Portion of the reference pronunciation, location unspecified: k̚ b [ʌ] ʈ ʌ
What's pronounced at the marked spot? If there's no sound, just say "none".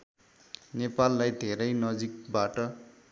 a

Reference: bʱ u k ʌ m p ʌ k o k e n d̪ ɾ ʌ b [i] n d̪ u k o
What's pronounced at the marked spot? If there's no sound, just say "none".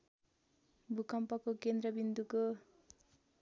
i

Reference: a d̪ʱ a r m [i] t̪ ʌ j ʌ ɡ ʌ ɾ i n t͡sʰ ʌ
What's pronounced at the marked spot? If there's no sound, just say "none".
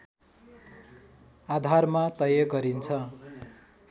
a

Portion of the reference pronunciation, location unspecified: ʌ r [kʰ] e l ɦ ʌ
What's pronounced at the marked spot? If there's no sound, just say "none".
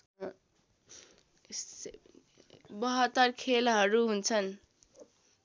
kʰ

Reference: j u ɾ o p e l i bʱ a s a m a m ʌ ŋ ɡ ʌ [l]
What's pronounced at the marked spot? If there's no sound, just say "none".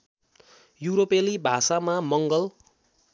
l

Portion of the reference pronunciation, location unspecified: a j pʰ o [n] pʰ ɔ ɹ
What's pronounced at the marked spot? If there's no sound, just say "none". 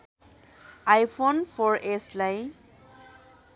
n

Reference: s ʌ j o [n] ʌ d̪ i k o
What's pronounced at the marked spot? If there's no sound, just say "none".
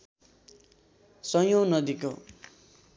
n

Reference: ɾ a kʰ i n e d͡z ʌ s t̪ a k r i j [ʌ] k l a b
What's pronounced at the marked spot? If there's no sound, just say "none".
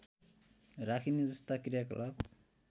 a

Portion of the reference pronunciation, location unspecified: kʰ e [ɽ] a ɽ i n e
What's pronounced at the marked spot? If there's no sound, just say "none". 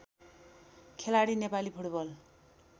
l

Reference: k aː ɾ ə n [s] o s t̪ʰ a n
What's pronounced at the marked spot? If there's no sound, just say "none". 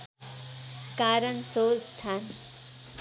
s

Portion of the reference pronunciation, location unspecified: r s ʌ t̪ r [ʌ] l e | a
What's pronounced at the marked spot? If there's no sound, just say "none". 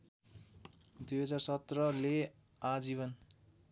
ʌ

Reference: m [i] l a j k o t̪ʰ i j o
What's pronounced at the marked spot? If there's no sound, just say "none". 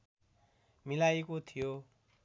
i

